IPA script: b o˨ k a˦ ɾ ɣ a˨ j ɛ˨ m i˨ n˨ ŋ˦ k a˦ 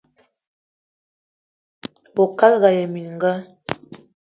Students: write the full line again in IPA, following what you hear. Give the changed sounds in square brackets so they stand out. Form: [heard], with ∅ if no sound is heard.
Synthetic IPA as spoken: b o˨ k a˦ [l] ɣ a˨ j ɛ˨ m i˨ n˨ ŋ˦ [ɡ] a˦